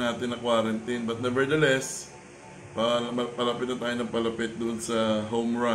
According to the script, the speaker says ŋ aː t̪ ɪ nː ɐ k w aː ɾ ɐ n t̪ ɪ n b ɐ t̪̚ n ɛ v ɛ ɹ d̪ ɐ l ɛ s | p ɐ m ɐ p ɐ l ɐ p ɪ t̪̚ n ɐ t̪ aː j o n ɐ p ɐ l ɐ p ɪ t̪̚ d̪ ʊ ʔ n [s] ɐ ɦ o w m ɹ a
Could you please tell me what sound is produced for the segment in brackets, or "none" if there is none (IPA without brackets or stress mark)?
s